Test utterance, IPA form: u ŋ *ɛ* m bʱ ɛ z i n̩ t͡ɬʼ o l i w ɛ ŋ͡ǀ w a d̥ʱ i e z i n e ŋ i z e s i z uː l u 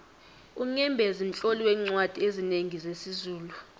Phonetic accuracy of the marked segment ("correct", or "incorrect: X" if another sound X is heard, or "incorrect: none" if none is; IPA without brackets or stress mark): correct